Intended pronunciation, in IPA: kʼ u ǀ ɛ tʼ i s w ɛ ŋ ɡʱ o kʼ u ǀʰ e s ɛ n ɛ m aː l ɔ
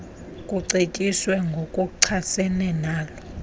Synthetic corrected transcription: kʼ u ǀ e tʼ i s w ɛ ŋ ɡʱ o kʼ u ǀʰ a s ɛ n ɛ n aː l ɔ